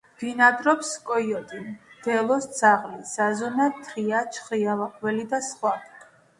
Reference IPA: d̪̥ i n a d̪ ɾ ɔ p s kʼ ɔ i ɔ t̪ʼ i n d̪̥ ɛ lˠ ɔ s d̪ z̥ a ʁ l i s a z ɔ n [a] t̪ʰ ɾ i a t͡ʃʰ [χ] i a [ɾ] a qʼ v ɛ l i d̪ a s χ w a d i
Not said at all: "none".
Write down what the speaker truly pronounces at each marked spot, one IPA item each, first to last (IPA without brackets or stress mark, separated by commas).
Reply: a, χ, l